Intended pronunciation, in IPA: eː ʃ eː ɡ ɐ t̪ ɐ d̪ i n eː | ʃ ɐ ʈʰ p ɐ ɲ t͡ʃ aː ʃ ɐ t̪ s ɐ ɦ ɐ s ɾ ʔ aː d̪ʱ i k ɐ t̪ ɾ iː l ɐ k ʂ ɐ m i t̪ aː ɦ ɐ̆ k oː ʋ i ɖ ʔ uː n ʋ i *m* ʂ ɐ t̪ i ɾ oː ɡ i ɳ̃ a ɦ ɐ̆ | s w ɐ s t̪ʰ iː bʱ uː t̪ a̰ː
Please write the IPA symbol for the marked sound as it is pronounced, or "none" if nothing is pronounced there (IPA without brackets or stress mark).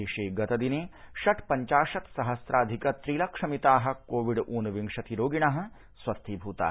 ŋ